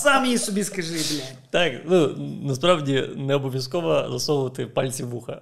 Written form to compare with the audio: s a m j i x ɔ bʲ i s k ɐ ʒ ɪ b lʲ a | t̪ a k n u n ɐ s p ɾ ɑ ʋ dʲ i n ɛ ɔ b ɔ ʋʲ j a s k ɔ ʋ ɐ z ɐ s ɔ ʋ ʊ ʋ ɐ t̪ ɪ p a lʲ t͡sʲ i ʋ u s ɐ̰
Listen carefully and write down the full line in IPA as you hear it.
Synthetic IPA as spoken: s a m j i s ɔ bʲ i s k ɐ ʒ ɪ b lʲ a | t̪ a k n u n ɐ s p ɾ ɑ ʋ dʲ i n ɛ ɔ b ɔ ʋʲ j ɐ s k ɔ ʋ ɐ z ɐ s ɔ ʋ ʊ ʋ ɐ t̪ ɪ p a lʲ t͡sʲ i ʋ u x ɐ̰